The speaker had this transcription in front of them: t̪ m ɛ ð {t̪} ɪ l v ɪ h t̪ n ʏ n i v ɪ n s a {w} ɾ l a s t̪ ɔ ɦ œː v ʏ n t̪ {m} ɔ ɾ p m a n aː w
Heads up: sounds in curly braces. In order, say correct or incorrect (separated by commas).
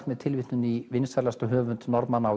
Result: incorrect, incorrect, incorrect